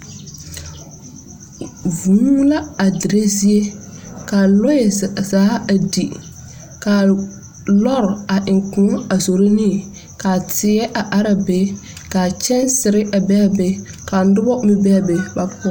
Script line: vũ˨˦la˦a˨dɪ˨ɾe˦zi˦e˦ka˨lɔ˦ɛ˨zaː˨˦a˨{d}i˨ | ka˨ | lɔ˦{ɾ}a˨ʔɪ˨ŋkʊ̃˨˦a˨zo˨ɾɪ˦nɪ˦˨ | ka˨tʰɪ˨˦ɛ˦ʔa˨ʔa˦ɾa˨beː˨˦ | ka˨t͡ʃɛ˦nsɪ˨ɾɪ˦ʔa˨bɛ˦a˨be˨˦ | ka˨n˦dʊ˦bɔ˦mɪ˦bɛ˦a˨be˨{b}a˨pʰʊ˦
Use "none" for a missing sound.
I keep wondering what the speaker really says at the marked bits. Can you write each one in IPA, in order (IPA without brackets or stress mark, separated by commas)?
d, ɾ, b